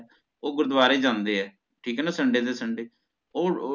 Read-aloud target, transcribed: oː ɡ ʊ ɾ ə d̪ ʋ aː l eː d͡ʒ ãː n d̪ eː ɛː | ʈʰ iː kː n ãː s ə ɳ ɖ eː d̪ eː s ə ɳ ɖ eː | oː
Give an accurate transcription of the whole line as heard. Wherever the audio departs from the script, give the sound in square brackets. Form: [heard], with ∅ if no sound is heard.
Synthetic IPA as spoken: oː ɡ ʊ ɾ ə d̪ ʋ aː [ɾ] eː d͡ʒ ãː n d̪ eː ɛː | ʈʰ iː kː n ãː s ə ɳ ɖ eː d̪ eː s ə ɳ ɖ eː | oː

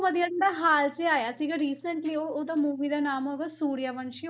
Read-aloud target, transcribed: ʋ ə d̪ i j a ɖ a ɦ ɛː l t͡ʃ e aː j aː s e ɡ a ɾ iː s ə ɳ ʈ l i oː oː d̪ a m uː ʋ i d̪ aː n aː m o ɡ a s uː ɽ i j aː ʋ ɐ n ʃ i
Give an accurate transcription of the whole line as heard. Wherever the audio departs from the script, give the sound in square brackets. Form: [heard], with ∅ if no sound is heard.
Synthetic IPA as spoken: ʋ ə d̪ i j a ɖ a ɦ [aː] l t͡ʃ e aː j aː s [i] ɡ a ɾ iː s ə ɳ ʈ l i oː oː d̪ a m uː ʋ i d̪ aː n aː m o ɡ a s uː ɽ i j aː ʋ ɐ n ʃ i

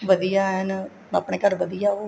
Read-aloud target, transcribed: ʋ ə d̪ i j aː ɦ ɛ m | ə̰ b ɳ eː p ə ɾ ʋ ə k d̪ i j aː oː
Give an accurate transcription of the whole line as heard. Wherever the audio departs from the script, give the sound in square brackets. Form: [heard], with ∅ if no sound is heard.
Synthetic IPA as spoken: ʋ ə d̪ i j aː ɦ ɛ [n] | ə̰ [p] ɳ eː [k] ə ɾ ʋ ə [∅] d̪ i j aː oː

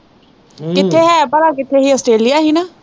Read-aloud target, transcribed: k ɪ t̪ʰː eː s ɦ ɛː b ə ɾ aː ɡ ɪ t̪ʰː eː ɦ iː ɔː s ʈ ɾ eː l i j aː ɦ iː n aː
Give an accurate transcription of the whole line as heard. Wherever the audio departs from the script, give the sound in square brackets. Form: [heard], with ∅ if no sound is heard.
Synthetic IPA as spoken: k ɪ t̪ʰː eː [∅] ɦ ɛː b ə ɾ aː [k] ɪ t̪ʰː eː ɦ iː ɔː s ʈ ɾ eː l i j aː ɦ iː n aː

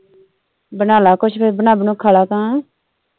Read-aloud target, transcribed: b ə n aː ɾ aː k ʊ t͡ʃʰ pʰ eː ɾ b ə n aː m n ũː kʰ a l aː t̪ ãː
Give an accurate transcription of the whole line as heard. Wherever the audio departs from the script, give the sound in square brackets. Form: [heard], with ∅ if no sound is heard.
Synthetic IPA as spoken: b ə n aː [l] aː k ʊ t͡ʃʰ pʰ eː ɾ b ə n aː [b] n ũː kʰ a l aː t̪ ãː

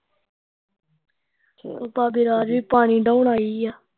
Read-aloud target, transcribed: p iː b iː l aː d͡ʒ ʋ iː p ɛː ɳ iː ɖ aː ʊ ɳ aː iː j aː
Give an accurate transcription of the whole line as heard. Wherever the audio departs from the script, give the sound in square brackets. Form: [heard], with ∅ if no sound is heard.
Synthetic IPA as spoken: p [aː] b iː [ɾ] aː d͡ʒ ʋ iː p [aː] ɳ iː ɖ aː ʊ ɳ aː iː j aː

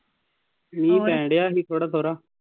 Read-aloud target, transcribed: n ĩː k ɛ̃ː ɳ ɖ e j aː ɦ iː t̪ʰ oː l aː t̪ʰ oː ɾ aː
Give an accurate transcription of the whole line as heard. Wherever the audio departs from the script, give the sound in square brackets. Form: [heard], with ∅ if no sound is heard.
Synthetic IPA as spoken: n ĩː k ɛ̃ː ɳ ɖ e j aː ɦ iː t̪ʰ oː [ɽ] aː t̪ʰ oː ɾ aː

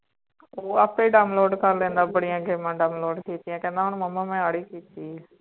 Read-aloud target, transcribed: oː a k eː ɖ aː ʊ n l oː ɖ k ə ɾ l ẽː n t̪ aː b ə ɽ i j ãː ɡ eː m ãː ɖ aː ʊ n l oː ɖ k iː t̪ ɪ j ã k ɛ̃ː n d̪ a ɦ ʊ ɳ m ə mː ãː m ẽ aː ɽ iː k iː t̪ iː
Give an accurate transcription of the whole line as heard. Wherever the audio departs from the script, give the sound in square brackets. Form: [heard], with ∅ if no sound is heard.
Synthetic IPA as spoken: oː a [p] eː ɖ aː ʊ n l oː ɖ k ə ɾ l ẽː n [d̪] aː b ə ɽ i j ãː ɡ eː m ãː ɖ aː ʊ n l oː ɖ k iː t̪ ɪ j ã k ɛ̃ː n d̪ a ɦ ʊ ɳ m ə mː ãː m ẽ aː ɽ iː k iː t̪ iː

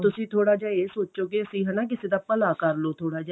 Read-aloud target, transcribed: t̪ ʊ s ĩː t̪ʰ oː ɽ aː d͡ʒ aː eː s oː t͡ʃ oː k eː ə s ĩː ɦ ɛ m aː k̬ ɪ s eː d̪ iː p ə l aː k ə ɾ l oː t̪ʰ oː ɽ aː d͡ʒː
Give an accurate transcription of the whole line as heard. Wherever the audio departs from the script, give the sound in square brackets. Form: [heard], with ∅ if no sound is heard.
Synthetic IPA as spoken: t̪ ʊ s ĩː t̪ʰ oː ɽ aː d͡ʒ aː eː s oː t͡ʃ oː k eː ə s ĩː ɦ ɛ [n] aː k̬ ɪ s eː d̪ [aː] p ə l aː k ə ɾ l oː t̪ʰ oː ɽ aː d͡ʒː

